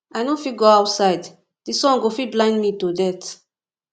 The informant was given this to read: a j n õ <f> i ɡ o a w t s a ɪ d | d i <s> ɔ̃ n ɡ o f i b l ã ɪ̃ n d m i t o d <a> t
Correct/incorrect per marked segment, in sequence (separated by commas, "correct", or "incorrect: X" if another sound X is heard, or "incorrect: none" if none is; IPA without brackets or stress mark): correct, correct, incorrect: ɛ